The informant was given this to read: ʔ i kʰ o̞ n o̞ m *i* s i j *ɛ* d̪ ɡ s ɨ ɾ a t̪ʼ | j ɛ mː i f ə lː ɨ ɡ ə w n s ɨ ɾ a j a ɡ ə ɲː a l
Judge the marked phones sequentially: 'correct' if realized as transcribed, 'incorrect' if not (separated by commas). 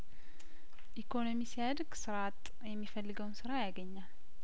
correct, incorrect